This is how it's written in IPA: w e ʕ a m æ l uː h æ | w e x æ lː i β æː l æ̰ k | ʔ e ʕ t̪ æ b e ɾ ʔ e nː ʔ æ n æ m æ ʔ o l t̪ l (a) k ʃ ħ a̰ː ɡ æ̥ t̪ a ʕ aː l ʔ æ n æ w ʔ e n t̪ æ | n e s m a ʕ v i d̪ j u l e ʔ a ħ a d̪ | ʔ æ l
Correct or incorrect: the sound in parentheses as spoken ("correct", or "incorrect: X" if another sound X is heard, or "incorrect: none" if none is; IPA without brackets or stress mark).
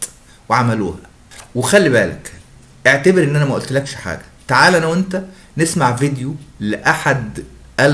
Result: incorrect: æ